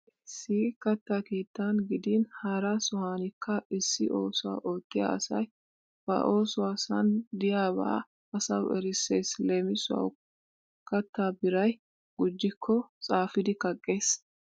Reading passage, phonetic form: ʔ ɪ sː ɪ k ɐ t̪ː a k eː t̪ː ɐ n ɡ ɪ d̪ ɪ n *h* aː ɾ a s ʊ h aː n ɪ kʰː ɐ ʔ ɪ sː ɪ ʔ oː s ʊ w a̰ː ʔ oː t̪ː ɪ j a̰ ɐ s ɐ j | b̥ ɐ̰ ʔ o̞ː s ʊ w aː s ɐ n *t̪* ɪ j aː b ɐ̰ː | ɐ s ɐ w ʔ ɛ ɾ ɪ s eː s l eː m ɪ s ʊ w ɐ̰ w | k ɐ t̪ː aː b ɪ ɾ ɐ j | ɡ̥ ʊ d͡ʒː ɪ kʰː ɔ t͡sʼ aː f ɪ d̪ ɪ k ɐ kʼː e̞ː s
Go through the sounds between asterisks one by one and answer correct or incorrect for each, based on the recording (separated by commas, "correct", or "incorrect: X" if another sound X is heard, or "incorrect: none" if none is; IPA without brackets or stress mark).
correct, incorrect: d̪